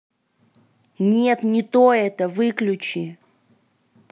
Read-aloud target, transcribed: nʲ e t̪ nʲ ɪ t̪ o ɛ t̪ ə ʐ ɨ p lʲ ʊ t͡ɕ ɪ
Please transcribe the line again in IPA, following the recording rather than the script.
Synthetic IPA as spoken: nʲ e t̪ nʲ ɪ t̪ o ɛ t̪ ə v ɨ k lʲ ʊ t͡ɕ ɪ